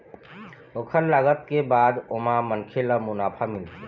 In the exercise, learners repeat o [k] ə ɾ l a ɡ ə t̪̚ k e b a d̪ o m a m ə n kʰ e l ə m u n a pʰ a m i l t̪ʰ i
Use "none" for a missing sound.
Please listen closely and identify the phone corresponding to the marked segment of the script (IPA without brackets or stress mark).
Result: kʰ